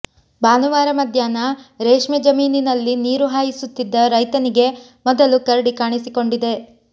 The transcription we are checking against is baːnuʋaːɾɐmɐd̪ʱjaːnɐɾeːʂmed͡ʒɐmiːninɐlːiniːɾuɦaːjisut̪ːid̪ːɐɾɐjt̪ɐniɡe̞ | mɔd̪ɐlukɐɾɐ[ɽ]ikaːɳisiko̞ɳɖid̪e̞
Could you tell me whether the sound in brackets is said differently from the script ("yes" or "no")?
no